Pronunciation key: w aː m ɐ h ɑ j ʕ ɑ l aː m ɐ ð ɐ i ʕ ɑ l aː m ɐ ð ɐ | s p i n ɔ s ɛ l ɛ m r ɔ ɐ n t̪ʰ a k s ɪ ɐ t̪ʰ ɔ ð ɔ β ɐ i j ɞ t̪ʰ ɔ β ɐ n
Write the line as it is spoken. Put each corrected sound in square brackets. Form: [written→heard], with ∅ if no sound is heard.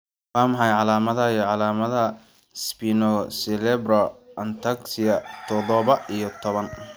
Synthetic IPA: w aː m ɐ [h→ħ] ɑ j ʕ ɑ l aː m ɐ ð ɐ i ʕ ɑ l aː m ɐ ð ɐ | s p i n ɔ s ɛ l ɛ [m→b] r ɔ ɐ n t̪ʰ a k s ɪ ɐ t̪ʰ ɔ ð ɔ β ɐ i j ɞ t̪ʰ ɔ β ɐ n